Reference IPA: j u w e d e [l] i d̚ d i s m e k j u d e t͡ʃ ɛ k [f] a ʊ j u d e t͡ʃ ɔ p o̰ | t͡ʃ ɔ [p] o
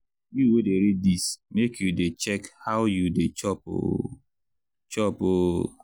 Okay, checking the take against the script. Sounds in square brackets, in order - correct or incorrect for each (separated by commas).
incorrect, incorrect, correct